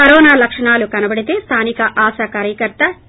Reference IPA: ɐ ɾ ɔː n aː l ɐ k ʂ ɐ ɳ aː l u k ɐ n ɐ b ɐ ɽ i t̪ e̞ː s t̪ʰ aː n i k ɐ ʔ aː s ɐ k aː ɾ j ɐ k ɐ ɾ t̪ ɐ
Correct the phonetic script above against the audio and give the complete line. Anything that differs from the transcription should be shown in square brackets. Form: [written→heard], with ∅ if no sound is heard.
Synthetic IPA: ɐ ɾ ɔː n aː l ɐ k ʂ ɐ ɳ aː l u k ɐ n ɐ b ɐ ɽ i t̪ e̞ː s t̪ʰ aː n i k ɐ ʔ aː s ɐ k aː ɾ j ɐ k ɐ ɾ t̪ ɐ